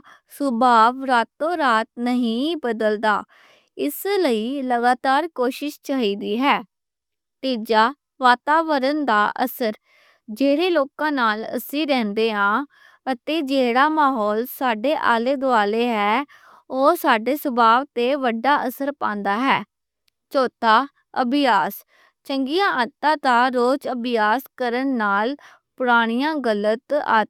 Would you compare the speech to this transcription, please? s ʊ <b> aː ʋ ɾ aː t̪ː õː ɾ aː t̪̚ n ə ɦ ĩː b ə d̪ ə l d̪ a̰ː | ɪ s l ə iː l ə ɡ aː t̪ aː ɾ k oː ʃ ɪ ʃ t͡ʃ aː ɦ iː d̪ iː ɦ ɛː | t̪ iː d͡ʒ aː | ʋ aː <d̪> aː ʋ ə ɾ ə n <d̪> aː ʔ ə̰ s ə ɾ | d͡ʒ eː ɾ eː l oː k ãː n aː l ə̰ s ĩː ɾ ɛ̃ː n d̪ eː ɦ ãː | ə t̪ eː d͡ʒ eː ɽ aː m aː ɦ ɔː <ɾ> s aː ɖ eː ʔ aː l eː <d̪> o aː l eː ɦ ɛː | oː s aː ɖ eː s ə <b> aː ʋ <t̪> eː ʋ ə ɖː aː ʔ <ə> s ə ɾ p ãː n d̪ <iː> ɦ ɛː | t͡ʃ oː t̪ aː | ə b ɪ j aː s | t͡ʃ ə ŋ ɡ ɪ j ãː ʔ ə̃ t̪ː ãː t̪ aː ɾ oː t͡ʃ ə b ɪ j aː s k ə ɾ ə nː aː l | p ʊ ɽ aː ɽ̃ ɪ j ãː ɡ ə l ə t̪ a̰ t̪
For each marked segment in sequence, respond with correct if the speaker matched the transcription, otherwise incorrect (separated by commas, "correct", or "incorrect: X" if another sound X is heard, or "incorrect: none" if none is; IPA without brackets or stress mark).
correct, incorrect: t̪, correct, incorrect: l, correct, correct, correct, correct, incorrect: aː